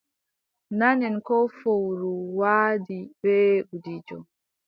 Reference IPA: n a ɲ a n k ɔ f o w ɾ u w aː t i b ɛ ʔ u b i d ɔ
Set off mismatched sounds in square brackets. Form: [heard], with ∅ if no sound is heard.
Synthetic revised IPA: n a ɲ [ɛ] n k ɔ f o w ɾ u w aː [d] i b ɛ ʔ u [d] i [d͡ʒ] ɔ